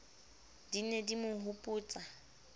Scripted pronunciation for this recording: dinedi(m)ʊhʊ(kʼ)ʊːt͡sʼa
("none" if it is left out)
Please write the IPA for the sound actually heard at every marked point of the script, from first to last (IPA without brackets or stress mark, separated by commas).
m, pʼ